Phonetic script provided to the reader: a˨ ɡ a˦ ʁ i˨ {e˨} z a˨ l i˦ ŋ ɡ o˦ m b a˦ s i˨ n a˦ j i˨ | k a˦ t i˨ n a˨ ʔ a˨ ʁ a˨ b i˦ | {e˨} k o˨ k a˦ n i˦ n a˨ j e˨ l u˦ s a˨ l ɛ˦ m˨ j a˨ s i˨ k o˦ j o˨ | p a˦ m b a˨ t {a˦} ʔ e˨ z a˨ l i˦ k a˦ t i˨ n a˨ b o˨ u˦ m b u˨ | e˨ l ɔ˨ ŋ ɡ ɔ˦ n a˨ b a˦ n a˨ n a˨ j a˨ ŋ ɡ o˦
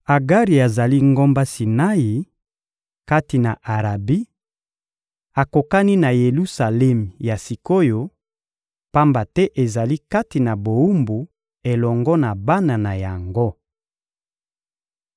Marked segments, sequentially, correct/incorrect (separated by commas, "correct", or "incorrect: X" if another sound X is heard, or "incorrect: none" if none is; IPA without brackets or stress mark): incorrect: a˨, incorrect: a˨, incorrect: ɛ˦